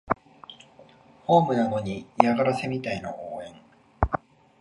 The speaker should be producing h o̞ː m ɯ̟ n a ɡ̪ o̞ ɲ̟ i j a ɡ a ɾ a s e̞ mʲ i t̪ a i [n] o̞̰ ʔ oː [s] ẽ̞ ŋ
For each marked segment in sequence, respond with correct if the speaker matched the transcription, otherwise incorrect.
correct, incorrect: none

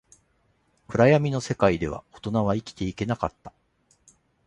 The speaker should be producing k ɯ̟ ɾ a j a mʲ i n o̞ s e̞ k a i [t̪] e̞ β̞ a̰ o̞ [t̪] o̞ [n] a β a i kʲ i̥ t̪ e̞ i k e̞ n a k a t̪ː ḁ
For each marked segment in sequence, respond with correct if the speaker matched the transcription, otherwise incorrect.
incorrect: d̪, correct, correct

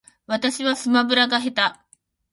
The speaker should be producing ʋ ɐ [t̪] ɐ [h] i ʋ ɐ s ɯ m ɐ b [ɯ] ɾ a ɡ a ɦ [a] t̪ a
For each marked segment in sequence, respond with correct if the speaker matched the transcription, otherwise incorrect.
correct, incorrect: ɕ, correct, incorrect: e

